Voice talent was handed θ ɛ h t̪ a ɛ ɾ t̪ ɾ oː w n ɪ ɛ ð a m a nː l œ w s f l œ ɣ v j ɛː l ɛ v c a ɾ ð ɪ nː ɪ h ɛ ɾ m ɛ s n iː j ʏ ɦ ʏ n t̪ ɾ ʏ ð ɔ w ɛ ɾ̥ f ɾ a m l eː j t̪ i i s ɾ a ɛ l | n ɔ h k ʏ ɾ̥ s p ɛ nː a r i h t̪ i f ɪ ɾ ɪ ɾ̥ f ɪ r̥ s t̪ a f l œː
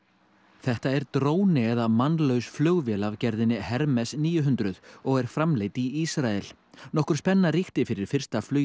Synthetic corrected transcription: θ ɛ h t̪ a ɛ ɾ t̪ ɾ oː w n ɪ ɛ ð a m a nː l œ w s f l œ ɣ v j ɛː l a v c ɛ ɾ ð ɪ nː ɪ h ɛ ɾ m ɛ s n iː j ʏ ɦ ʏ n t̪ ɾ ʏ ð ɔ ɣ ɛ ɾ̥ f ɾ a m l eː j t̪ i i s ɾ a ɛ l | n ɔ h k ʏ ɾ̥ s p ɛ nː a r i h t̪ ɪ f ɪ ɾ ɪ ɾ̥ f ɪ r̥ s t̪ a f l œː